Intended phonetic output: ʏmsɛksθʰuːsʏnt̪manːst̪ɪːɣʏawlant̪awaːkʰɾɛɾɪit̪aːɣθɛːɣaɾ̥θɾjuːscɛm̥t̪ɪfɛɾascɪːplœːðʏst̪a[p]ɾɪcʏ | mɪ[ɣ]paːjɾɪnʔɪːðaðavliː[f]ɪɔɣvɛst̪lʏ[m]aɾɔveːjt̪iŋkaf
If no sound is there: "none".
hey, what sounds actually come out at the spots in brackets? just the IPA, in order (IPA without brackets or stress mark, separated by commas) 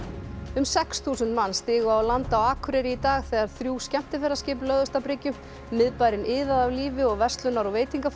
p, ð, v, n